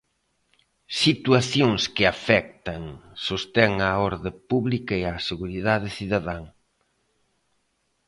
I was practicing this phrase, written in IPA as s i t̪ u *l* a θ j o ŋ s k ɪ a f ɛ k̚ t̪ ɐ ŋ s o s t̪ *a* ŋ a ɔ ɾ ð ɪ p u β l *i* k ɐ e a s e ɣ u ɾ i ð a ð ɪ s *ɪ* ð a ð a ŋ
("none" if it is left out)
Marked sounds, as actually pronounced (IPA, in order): none, ɛ, i, i

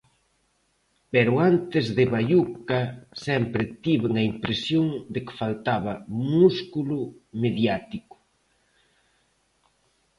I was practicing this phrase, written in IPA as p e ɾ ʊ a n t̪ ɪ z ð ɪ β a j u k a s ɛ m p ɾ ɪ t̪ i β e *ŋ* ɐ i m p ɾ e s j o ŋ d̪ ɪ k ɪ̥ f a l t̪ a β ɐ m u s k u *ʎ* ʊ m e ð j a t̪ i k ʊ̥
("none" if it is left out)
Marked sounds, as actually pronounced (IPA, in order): ŋ, l

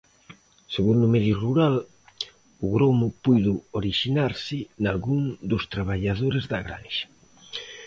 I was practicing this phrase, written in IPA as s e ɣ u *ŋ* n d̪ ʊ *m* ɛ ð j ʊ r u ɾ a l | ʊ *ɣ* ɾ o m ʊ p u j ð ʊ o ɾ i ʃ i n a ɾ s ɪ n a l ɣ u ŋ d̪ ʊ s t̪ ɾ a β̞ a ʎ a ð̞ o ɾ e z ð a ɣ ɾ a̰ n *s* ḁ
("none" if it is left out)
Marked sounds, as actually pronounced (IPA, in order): none, m, ɣ, ʃ

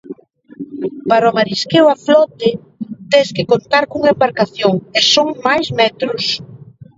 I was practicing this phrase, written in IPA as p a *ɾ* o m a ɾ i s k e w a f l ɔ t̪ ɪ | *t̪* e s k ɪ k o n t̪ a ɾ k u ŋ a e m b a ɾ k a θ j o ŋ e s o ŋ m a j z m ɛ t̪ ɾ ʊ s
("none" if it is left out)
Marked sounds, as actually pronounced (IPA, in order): ɾ, t̪

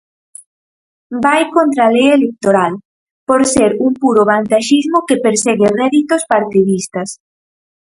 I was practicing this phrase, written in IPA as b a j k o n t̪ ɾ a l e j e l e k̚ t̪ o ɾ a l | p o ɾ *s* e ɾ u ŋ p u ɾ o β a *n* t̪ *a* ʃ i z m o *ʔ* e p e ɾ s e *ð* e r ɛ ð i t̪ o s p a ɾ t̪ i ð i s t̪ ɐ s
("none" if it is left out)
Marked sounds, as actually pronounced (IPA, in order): s, n, a, k, ɣ

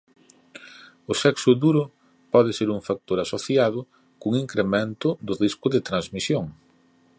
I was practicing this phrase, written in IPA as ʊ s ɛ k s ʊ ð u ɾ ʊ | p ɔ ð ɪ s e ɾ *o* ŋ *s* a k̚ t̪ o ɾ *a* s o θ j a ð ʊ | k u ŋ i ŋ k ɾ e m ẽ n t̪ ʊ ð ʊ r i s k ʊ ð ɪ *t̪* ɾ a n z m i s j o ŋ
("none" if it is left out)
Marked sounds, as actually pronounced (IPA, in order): u, f, a, t̪

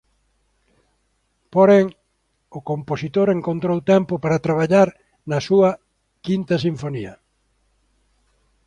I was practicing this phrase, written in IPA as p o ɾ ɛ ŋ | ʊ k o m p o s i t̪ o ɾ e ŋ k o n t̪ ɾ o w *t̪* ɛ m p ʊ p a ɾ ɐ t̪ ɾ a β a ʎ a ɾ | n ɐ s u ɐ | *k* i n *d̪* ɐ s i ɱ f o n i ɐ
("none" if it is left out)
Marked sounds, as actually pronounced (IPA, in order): t̪, k, t̪

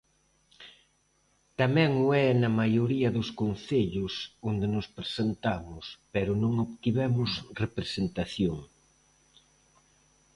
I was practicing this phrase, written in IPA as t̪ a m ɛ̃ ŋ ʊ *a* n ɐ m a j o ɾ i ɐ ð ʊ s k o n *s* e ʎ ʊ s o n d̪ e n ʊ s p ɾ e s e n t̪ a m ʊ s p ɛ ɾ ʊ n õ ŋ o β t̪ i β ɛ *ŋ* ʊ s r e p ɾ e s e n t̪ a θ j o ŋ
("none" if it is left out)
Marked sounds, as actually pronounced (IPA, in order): ɛ, θ, m

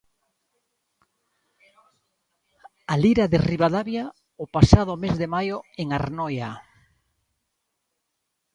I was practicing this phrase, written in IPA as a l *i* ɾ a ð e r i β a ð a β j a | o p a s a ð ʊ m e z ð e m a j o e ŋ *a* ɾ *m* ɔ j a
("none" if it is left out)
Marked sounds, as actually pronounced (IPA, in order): i, a, n

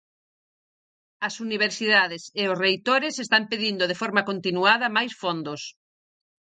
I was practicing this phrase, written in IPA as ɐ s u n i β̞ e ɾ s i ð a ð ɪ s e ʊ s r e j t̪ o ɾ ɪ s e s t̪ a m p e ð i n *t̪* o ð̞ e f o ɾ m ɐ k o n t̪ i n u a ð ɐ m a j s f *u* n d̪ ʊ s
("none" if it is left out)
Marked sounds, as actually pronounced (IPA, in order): d̪, o

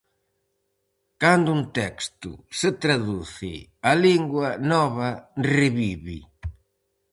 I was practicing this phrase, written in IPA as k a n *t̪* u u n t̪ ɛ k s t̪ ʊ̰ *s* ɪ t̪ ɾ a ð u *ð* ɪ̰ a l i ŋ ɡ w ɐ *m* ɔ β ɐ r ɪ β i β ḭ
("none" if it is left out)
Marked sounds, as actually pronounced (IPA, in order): d̪, s, θ, n

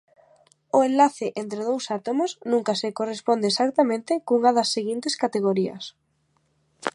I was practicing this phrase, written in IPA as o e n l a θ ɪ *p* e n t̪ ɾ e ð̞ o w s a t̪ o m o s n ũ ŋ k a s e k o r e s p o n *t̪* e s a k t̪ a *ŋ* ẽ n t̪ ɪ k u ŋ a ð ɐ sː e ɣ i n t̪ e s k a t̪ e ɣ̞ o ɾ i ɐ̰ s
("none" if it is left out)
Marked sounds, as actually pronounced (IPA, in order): ʔ, d̪, m

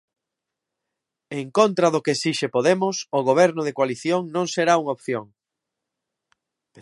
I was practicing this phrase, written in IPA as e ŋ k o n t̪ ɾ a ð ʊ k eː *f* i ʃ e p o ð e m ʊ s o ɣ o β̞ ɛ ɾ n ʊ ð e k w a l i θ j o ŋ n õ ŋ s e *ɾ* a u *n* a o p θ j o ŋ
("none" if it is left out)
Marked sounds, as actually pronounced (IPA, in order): s, ɾ, ŋ

